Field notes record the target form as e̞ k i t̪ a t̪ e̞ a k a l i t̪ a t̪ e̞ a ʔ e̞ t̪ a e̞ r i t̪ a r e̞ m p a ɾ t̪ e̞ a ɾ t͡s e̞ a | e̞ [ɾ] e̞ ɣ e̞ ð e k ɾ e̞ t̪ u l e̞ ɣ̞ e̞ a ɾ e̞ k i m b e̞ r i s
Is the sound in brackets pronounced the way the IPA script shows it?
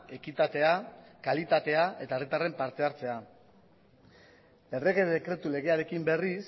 no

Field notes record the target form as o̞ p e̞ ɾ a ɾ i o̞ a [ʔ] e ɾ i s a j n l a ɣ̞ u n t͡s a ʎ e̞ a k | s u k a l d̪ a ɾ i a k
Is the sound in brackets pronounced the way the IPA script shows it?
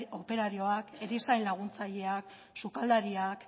no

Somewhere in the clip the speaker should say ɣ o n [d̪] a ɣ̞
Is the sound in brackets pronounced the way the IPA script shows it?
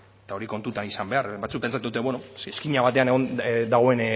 yes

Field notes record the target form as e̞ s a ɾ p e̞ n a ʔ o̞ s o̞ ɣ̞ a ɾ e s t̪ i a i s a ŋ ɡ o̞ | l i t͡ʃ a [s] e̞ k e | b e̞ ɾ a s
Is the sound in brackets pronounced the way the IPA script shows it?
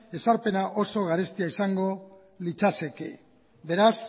yes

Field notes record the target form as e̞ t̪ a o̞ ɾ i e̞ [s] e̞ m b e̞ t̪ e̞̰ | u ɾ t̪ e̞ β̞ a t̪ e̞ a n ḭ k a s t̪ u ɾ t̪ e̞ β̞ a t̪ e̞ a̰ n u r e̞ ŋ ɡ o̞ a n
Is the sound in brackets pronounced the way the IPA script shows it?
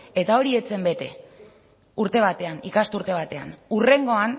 no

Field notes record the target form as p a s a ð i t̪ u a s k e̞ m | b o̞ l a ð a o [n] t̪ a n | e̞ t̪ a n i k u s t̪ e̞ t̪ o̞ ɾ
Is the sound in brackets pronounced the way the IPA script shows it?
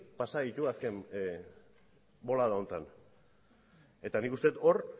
yes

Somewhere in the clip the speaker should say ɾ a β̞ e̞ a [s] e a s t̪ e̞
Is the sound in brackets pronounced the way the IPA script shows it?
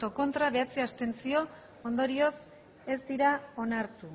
no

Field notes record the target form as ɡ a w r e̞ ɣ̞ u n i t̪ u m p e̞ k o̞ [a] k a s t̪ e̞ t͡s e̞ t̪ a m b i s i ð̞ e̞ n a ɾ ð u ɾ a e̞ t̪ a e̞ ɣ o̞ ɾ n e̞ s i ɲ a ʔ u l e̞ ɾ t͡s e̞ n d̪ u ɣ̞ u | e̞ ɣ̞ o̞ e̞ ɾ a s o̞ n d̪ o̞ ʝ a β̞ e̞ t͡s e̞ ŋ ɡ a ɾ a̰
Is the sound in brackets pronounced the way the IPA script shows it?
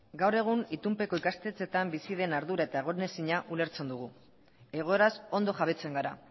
no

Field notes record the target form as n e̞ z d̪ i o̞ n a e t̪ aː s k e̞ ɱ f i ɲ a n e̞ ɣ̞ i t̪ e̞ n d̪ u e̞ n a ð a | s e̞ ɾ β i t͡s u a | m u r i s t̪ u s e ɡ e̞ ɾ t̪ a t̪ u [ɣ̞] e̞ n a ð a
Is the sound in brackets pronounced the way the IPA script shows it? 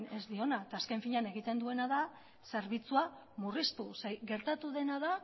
no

